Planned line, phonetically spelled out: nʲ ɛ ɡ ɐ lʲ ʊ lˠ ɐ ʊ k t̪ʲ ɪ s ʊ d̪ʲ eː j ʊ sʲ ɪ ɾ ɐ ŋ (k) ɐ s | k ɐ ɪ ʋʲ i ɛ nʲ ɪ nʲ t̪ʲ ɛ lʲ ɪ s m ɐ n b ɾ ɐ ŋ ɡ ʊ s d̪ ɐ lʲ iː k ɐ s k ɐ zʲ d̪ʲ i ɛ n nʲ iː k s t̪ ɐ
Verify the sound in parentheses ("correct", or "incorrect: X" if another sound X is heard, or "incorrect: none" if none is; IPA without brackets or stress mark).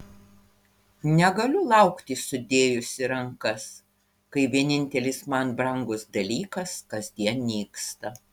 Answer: correct